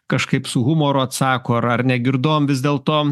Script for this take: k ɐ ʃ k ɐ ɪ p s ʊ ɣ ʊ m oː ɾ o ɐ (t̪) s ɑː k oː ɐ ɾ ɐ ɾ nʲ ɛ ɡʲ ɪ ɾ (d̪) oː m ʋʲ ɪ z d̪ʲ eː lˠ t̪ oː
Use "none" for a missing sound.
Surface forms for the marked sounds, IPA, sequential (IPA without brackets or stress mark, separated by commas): t̪, d̪